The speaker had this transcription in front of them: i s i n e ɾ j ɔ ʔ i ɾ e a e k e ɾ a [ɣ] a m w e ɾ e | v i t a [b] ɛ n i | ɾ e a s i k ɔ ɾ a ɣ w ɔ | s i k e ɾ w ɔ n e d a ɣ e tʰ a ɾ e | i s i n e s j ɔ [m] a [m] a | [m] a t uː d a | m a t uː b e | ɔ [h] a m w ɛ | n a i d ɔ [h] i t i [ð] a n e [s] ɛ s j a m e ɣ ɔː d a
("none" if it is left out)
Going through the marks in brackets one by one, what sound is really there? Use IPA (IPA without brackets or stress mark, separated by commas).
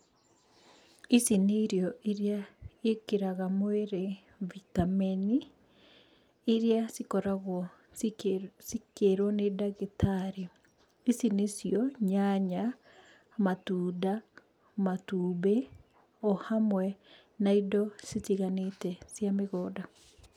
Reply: ɣ, m, ɲ, ɲ, m, h, s, ɣ, t